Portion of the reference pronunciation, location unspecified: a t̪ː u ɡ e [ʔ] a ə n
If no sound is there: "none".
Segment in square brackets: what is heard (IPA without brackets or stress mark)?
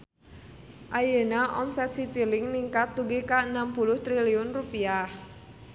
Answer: k